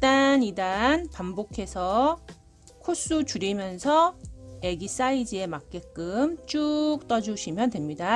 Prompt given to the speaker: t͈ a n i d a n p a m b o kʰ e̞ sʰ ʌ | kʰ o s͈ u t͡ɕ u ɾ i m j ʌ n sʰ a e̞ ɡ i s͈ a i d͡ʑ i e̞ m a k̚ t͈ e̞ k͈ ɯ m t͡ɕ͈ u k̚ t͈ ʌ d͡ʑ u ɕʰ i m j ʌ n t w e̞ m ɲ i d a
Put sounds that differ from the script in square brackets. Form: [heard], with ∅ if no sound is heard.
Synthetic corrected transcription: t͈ a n i d a n p a m b o kʰ e̞ sʰ ʌ | kʰ o s͈ u t͡ɕ u ɾ i m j ʌ n sʰ [ʌ] e̞ ɡ i s͈ a i d͡ʑ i e̞ m a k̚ [k͈] e̞ k͈ ɯ m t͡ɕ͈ u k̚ t͈ ʌ d͡ʑ u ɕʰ i m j ʌ n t w e̞ m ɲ i d a